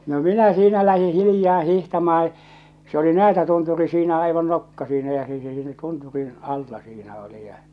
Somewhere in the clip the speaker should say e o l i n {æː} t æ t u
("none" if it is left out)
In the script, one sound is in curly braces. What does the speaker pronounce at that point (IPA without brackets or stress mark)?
æː